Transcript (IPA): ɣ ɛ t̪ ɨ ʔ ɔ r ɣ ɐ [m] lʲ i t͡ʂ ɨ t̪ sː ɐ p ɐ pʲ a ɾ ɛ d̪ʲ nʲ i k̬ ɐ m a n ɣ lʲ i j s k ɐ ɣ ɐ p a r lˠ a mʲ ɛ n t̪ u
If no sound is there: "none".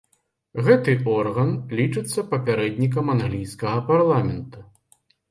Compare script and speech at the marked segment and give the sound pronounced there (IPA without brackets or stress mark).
n